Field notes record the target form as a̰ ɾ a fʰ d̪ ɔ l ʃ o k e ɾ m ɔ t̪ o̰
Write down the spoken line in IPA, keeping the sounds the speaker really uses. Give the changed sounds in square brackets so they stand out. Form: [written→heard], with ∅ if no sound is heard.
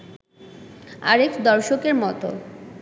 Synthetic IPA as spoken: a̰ ɾ [a→e] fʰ d̪ ɔ [l→ɾ] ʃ o k e ɾ m ɔ t̪ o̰